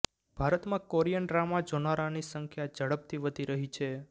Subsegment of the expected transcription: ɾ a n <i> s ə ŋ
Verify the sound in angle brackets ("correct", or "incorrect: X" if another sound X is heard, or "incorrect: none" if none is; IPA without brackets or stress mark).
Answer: correct